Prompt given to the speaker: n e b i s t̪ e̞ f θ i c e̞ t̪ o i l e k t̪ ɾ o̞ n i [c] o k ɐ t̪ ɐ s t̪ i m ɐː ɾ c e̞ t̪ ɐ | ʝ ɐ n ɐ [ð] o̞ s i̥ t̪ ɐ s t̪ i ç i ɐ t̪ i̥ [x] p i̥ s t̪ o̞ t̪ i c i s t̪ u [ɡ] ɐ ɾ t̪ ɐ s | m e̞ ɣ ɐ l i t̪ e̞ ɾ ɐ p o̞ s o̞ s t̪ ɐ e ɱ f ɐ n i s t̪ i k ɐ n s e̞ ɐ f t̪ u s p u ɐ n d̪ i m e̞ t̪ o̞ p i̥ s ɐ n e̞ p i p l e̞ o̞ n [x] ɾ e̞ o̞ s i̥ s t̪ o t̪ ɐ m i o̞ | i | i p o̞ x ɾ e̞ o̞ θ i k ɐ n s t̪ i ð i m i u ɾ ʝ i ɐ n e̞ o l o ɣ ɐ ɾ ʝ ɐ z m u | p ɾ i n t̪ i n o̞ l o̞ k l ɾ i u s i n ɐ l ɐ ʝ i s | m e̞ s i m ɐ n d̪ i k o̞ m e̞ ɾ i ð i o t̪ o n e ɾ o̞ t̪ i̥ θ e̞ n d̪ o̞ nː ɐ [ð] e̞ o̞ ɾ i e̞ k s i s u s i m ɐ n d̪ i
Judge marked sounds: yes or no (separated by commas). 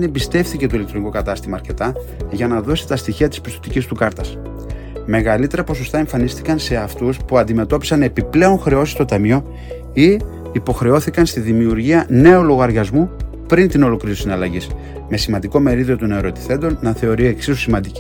no, yes, no, no, yes, no